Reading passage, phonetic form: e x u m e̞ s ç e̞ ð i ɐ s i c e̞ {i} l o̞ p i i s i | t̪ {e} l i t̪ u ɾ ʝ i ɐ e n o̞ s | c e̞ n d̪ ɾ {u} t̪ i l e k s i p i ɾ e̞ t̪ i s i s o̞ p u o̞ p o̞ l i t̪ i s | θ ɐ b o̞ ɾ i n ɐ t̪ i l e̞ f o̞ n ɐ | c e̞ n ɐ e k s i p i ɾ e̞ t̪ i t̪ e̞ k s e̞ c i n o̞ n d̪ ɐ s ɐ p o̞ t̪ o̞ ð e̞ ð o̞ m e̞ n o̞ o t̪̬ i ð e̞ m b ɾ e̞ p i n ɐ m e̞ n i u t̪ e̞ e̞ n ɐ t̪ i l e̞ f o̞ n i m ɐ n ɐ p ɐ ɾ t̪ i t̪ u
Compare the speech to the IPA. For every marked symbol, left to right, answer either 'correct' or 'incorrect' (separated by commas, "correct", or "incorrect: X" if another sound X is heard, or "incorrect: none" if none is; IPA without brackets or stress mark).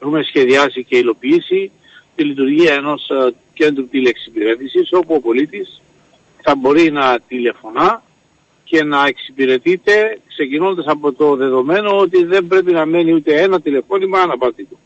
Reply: correct, incorrect: i, correct